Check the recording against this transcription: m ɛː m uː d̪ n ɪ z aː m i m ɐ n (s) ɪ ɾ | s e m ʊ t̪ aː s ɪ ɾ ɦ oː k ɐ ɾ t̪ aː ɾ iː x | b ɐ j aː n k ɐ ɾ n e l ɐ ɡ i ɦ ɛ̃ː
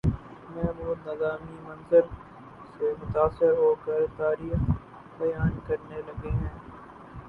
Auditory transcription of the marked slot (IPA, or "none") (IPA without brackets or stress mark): z